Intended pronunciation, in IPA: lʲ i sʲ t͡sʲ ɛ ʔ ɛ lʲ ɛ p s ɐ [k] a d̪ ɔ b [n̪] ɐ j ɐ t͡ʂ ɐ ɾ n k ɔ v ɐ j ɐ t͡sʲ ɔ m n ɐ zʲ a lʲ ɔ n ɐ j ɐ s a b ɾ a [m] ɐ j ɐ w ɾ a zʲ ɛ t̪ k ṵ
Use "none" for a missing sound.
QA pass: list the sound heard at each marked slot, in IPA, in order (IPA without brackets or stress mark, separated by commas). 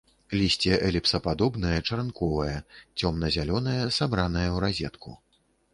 p, n̪, n